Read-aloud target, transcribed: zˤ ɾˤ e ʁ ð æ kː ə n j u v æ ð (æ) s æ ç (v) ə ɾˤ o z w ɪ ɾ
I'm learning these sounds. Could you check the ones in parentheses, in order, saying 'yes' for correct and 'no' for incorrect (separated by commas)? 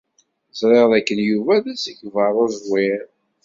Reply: yes, yes